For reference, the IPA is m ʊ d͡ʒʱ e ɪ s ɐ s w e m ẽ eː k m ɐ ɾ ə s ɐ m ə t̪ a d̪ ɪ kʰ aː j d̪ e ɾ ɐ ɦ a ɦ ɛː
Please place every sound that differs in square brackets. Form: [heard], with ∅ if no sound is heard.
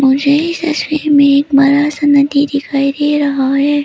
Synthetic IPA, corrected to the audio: m ʊ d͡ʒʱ e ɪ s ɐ s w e m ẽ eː k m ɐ ɾ [a] s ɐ [n] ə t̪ [i] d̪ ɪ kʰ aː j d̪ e ɾ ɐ ɦ a ɦ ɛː